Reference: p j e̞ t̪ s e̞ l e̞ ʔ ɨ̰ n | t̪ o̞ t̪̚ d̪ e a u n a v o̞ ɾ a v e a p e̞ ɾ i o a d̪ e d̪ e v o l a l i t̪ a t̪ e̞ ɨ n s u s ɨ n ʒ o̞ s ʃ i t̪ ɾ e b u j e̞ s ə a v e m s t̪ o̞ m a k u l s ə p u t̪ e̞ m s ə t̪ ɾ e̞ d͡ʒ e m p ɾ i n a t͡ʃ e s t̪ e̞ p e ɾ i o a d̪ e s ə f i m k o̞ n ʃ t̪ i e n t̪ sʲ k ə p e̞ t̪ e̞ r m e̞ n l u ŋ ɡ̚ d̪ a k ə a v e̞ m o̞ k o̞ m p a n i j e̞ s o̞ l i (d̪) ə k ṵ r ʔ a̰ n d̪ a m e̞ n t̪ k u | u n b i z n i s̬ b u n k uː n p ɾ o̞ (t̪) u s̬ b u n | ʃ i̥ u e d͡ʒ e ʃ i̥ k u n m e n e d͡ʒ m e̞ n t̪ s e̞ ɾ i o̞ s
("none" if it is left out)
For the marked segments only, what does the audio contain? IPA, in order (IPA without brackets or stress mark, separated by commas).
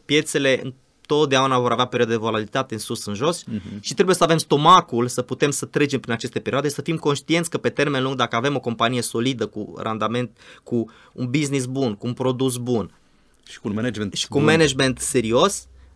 d̪, d̪